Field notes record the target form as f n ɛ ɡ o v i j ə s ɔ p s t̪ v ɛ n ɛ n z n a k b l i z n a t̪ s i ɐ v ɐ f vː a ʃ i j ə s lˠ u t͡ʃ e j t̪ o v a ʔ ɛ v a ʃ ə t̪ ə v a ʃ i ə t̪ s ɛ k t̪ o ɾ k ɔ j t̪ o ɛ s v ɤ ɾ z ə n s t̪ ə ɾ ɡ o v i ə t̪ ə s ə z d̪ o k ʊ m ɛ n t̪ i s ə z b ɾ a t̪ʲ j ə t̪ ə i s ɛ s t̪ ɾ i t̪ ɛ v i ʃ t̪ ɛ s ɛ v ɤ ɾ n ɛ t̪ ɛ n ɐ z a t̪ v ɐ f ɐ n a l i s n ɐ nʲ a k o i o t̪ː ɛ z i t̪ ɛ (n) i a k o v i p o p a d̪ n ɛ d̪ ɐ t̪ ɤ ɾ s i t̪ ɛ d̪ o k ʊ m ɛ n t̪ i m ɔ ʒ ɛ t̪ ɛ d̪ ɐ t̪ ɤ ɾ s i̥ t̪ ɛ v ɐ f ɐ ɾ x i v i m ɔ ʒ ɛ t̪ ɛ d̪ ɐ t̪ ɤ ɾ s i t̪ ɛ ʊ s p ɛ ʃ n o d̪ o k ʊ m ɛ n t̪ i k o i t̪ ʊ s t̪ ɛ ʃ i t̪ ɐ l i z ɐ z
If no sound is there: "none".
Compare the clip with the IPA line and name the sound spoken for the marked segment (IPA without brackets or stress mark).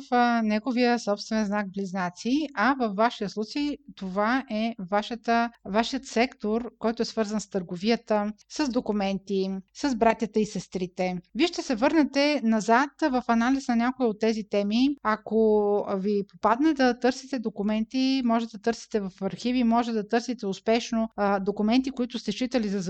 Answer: m